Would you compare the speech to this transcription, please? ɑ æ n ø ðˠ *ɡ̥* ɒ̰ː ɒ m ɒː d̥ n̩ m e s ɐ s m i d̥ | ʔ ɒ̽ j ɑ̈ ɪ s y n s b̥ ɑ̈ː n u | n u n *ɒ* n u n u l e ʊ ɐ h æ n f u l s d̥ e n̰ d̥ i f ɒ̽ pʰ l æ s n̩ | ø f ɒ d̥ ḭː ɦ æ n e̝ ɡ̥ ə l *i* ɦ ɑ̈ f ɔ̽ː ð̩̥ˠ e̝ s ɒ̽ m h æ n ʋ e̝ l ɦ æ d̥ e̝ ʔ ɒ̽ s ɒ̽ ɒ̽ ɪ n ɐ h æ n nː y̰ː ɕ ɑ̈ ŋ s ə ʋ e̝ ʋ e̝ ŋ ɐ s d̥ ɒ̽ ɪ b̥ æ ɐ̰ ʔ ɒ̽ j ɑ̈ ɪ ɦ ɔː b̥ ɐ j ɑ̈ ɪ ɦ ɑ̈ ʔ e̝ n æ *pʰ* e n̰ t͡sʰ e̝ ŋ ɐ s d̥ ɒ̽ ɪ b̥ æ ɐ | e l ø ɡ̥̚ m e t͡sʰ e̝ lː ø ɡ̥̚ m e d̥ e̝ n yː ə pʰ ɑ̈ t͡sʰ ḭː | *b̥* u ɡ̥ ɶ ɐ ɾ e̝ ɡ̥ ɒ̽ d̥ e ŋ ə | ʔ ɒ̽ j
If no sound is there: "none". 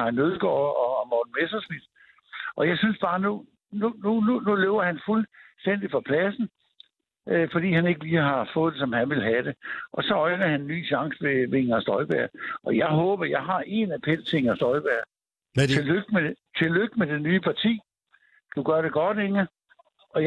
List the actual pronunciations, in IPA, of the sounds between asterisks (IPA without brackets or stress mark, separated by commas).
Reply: ɡ̥, u, iː, pʰ, d̥